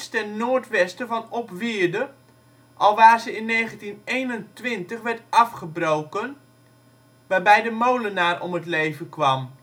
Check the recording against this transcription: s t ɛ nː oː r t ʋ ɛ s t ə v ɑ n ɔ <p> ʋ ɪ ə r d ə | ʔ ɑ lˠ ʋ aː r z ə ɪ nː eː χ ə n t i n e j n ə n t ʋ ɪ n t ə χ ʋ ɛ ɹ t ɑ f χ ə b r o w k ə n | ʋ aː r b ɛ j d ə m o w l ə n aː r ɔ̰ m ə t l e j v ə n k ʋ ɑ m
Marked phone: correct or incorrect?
correct